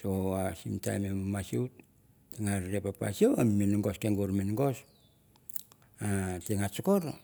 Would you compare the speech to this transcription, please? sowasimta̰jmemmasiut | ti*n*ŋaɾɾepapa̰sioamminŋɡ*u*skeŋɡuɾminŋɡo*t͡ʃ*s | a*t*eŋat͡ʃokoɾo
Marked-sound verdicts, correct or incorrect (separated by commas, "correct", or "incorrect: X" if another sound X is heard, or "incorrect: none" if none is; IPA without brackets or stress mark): incorrect: none, incorrect: o, incorrect: none, correct